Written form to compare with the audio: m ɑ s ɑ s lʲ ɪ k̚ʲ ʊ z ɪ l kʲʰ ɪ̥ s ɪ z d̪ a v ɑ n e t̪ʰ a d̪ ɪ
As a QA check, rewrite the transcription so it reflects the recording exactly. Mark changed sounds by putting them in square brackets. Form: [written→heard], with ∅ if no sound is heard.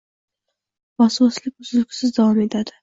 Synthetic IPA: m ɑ s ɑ s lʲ ɪ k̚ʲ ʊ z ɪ l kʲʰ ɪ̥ s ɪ z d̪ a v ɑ [n→m] e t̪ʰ a d̪ ɪ